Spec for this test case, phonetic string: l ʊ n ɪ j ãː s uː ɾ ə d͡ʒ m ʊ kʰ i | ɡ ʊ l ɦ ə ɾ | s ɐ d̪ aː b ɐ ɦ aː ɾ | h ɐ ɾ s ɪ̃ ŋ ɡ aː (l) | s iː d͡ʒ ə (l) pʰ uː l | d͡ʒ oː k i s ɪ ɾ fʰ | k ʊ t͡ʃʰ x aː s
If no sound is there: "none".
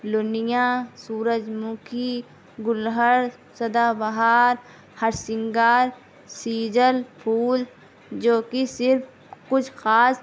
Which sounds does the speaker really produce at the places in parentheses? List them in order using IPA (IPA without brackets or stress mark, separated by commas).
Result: ɾ, l